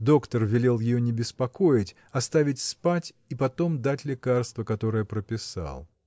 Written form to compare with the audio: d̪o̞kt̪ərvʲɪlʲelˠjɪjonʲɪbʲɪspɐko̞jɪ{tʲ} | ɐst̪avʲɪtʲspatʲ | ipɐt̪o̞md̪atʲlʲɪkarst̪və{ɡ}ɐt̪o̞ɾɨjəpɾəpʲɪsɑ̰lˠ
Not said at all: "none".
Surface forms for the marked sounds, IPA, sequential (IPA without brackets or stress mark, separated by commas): tʲ, k